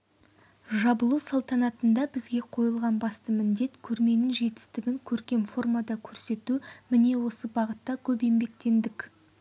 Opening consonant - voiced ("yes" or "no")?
yes